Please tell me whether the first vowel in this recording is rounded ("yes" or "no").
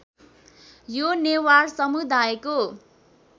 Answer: yes